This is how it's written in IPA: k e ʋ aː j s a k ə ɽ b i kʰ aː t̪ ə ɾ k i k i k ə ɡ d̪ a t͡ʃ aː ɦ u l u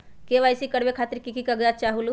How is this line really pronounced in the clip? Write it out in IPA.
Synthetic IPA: k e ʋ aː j s i k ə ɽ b e kʰ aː t̪ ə ɾ k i k i k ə ɡ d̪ a t͡ʃ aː ɦ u l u